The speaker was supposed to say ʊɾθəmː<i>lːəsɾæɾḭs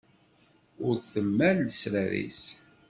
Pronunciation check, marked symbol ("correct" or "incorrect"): incorrect